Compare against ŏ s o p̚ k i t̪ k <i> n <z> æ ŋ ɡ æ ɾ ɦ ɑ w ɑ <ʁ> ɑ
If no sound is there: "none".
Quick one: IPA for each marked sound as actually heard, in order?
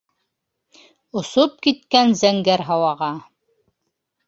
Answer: æ, z, ʁ

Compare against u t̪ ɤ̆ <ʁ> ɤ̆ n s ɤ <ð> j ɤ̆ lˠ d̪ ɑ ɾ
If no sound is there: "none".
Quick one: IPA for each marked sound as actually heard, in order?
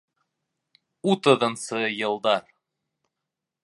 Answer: ð, none

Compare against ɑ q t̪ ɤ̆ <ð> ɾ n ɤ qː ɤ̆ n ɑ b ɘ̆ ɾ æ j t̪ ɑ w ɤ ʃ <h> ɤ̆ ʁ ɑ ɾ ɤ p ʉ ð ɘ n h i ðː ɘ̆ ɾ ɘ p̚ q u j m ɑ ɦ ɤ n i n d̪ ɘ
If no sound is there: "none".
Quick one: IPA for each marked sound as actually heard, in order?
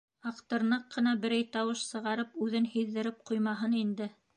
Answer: none, s

